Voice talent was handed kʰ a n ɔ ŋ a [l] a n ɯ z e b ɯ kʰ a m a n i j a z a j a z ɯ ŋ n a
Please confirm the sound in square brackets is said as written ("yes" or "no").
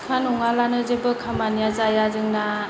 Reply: yes